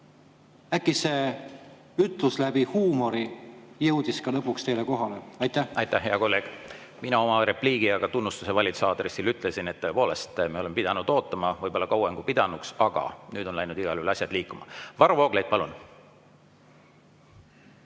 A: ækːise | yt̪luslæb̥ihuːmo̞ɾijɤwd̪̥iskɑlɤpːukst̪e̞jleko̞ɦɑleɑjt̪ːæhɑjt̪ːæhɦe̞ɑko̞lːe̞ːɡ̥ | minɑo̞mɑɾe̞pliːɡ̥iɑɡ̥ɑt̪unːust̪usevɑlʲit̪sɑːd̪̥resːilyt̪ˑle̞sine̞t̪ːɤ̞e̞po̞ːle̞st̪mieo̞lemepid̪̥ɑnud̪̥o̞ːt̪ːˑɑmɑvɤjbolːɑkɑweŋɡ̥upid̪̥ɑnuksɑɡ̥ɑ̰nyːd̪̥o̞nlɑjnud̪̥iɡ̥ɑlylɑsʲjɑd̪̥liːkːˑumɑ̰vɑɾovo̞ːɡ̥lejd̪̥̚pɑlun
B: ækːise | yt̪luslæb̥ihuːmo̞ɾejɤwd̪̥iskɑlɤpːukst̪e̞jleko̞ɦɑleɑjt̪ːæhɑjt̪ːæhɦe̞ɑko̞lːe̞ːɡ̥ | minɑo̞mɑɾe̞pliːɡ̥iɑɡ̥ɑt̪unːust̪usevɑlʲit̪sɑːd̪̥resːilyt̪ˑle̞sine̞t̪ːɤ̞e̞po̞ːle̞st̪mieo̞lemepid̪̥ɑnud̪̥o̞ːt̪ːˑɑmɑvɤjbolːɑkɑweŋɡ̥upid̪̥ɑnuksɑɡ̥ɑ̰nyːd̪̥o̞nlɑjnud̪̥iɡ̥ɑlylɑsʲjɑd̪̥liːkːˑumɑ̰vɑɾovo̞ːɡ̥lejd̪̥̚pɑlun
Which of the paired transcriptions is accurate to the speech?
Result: A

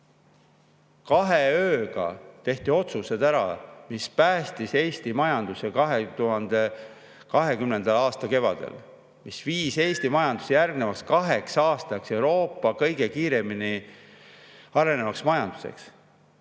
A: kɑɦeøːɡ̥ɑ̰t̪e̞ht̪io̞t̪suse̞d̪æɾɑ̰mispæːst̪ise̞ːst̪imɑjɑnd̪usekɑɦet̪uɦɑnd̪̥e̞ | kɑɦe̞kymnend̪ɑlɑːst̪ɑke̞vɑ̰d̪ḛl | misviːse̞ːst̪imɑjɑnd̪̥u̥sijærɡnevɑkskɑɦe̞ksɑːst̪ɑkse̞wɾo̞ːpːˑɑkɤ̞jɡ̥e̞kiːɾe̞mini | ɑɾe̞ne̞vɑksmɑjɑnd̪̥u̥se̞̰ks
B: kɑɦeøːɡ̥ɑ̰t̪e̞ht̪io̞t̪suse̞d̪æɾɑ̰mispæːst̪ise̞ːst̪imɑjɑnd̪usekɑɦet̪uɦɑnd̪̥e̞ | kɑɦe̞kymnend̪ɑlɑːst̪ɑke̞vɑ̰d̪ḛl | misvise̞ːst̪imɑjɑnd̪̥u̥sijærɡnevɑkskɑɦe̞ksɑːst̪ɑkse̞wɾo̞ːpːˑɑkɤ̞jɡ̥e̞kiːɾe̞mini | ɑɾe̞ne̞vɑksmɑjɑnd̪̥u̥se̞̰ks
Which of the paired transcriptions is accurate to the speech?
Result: A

